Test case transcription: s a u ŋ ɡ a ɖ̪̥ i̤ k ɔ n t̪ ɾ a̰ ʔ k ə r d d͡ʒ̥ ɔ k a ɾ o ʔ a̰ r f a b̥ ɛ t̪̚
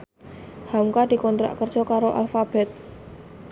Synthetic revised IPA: h a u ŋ k a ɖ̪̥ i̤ k ɔ n t̪ ɾ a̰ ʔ k ə r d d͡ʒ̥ ɔ k a ɾ o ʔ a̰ l f a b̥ ɛ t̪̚